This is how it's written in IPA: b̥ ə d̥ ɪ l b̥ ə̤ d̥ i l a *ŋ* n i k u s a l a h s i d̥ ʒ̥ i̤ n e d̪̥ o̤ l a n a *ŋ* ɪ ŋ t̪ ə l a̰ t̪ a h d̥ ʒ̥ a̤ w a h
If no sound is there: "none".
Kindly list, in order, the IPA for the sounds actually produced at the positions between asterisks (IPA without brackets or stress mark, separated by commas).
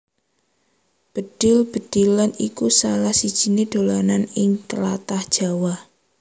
none, n